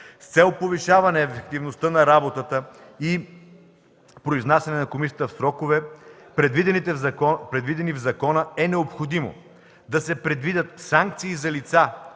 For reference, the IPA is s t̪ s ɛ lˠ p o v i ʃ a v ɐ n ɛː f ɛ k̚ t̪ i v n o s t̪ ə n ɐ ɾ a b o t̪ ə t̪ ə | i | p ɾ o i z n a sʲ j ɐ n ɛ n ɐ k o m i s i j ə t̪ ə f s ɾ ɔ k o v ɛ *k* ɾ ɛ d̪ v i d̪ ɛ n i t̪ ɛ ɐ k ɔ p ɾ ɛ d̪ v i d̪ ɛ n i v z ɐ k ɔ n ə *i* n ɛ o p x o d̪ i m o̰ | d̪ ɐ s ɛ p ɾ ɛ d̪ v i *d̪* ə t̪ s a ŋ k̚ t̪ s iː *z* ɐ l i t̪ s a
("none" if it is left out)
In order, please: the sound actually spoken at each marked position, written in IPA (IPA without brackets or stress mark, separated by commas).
p, ɛ, d̪, z